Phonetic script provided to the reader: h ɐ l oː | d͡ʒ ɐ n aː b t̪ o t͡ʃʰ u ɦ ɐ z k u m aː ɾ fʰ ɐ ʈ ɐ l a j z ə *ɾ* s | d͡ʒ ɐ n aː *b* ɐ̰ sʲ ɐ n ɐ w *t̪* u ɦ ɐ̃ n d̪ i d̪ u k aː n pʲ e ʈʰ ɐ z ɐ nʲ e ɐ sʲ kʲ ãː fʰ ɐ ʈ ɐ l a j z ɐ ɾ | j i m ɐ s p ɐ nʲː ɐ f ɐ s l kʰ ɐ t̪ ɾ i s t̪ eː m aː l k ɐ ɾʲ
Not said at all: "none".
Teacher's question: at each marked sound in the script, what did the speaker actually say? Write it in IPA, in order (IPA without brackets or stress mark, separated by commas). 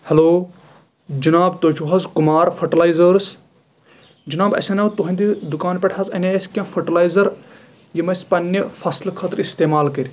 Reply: ɾ, b, t̪